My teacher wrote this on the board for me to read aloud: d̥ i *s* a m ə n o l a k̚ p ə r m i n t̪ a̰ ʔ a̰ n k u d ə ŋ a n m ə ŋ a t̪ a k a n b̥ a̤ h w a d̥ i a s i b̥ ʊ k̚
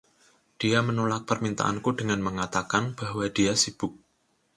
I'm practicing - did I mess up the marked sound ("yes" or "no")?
yes